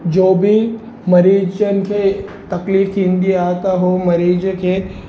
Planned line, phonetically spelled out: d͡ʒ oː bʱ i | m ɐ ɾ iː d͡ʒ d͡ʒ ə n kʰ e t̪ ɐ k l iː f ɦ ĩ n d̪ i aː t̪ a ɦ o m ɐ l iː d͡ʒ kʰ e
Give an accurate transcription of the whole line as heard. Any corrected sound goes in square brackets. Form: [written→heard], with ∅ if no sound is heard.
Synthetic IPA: d͡ʒ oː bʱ i | m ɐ ɾ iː d͡ʒ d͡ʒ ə n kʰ e t̪ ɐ k l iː f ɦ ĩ n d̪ i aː t̪ a ɦ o m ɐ [l→ɾ] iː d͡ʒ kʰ e